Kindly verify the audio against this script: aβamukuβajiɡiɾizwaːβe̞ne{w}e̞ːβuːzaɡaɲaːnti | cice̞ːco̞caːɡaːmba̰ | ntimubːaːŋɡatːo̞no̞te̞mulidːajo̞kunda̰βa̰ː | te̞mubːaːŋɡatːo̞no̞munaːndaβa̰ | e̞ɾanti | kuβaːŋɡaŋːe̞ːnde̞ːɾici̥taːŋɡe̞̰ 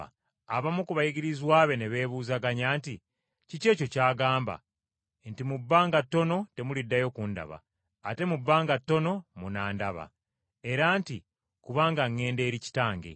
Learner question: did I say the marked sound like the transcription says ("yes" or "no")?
no